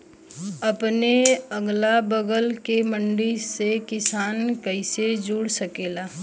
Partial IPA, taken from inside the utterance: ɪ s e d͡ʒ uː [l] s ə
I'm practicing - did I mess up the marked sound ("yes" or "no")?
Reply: yes